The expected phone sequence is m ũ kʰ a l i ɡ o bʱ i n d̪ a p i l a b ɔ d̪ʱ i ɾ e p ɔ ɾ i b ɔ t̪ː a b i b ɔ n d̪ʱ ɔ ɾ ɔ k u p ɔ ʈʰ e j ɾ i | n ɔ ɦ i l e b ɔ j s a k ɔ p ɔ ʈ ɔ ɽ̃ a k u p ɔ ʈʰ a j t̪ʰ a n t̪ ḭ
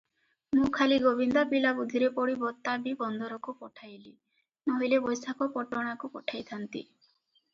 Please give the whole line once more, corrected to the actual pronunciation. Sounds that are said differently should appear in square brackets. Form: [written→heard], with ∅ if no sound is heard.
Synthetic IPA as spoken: m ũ kʰ a l i ɡ o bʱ i n d̪ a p i l a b [ɔ→u] d̪ʱ i ɾ e p ɔ [ɾ→ɽ] i b ɔ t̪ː a b i b ɔ n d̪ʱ ɔ ɾ ɔ k u p ɔ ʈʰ [e→a] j [ɾ→l] i | n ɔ ɦ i l e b ɔ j s a k ɔ p ɔ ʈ ɔ ɽ̃ a k u p ɔ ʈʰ a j t̪ʰ a n t̪ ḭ